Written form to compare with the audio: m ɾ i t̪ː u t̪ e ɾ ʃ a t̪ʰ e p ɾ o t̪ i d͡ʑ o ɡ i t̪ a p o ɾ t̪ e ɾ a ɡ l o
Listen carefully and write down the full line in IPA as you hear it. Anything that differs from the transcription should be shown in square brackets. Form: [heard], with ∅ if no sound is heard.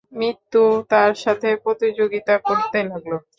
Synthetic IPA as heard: m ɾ i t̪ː u t̪ [a] ɾ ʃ a t̪ʰ e p ɾ o t̪ i d͡ʑ o ɡ i t̪ a [k] o ɾ t̪ e [l] a ɡ l o